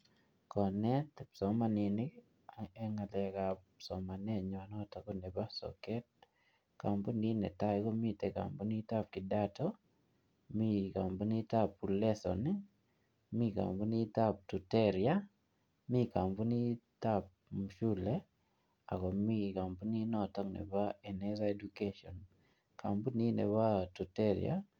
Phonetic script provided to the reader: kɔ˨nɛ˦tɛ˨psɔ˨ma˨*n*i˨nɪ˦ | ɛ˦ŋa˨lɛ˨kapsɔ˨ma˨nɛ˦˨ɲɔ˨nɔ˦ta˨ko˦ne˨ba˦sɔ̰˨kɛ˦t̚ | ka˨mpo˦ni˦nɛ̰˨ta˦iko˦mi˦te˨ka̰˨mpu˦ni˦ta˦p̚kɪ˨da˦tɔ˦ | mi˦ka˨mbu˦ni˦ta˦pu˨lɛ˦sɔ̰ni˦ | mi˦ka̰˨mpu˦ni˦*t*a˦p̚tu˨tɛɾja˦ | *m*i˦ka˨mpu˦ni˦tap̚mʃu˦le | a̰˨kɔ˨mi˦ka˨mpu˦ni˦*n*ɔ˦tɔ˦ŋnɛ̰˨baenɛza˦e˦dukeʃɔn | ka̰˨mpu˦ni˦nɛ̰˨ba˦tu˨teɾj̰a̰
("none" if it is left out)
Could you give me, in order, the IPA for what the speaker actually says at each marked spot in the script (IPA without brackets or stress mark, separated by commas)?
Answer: n, t, m, n